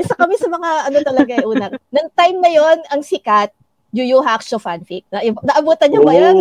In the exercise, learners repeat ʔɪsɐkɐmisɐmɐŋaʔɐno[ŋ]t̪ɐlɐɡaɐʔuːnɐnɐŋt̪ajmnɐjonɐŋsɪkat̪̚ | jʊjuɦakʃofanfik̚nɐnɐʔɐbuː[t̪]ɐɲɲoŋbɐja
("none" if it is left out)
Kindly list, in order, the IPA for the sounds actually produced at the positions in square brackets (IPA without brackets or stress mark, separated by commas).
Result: none, t̪